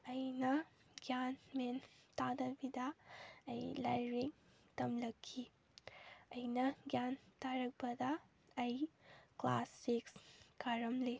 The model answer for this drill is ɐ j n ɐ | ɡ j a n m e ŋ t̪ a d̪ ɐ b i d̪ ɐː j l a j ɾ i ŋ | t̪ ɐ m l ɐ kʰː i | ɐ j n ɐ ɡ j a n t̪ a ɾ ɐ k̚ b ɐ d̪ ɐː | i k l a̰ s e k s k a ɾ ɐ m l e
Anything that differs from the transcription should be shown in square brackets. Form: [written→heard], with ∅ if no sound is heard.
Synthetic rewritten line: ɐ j n ɐ | ɡ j a n m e [ŋ→n] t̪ a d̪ ɐ b i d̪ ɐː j l a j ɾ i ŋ | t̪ ɐ m l ɐ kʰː i | ɐ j n ɐ ɡ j a n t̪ a ɾ ɐ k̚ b ɐ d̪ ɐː | [i→j] k l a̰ s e k s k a ɾ ɐ m l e